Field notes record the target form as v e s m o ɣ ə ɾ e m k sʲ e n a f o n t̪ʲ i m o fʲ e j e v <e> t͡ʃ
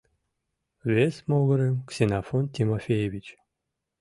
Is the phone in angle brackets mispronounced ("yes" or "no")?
yes